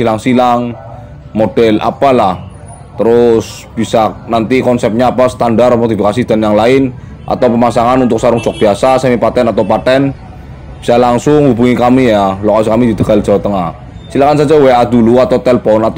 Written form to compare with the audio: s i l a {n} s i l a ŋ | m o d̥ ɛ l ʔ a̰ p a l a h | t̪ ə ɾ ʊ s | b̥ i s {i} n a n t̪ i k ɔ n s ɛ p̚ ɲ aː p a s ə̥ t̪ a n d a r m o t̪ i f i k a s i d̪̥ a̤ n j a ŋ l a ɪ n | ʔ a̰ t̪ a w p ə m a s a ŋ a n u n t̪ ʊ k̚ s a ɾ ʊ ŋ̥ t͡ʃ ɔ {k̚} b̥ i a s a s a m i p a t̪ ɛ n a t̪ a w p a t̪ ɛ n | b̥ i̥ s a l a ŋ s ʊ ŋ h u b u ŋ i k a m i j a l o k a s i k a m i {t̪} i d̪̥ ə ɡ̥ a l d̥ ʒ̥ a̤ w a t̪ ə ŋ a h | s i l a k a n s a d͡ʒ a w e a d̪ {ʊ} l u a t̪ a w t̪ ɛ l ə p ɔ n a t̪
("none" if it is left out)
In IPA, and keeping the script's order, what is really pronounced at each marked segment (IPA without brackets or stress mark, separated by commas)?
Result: ŋ, a, k̚, d̪, u